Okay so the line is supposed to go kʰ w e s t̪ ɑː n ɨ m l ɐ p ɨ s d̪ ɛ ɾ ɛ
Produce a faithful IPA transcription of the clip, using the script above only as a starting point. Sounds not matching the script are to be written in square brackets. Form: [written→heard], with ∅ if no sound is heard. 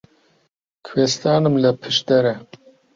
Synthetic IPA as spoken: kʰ w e s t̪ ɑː n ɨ m l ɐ [p→pʰ] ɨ [s→ʃ] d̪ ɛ ɾ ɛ